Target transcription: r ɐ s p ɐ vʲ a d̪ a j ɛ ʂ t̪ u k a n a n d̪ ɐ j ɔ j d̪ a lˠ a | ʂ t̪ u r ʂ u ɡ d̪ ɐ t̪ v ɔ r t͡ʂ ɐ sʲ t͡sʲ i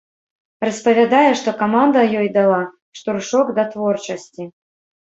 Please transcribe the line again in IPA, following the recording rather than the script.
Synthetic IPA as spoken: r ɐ s p ɐ vʲ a d̪ a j ɛ ʂ t̪ ɔ k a m a n d̪ ɐ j ɔ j d̪ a lˠ a | ʂ t̪ u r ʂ ɔ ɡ d̪ ɐ t̪ v ɔ r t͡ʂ ɐ sʲ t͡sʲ i